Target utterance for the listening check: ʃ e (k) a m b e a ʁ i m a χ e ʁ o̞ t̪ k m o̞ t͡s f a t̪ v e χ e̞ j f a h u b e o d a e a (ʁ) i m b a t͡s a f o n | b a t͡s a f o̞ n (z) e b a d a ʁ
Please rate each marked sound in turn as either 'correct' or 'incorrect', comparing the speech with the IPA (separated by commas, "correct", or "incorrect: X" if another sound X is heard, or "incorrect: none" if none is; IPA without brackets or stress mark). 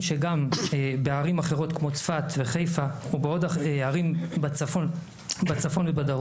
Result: incorrect: ɡ, correct, incorrect: v